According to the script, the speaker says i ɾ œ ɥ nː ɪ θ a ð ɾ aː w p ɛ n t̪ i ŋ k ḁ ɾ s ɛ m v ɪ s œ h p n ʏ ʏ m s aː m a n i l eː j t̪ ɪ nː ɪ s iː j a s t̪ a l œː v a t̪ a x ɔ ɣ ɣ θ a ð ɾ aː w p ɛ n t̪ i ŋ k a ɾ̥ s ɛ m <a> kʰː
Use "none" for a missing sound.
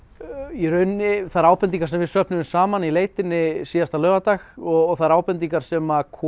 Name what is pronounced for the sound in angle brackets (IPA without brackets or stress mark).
a